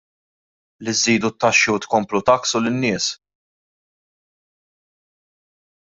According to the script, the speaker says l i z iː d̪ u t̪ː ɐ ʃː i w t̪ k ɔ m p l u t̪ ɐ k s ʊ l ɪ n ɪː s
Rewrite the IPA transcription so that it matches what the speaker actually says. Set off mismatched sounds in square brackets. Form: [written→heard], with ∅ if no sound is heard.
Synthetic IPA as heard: l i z iː d̪ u t̪ː ɐ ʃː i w t̪ k ɔ m p l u t̪ ɐ k s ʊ l ɪ [n→nː] ɪː s